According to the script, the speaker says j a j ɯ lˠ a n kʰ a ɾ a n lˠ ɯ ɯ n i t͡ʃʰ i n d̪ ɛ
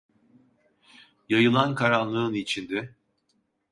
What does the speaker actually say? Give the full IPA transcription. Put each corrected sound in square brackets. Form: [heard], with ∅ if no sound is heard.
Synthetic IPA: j a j ɯ lˠ a n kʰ a ɾ a n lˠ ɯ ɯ n i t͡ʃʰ i n d̪ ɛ